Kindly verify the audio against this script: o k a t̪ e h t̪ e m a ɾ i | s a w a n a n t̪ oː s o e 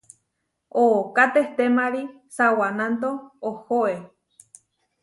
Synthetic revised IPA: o k a t̪ e h t̪ e m a ɾ i | s a w a n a n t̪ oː h o e